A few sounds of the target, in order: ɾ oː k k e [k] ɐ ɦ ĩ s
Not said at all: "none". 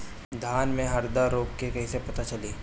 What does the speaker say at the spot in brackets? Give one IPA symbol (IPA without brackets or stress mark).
k